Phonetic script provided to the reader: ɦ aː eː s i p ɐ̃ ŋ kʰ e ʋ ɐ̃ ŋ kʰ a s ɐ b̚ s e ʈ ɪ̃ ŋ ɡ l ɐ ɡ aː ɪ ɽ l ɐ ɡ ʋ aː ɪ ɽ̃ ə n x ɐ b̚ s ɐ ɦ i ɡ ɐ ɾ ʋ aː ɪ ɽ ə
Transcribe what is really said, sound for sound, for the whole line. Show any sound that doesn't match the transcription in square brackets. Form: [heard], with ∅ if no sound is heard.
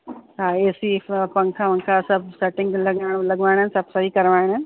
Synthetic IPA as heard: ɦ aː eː s i p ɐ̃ ŋ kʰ [a] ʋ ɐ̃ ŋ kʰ a s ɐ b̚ s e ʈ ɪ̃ ŋ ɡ l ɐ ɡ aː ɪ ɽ l ɐ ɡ ʋ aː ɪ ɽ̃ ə n [s] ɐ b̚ s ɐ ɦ i [k] ɐ ɾ ʋ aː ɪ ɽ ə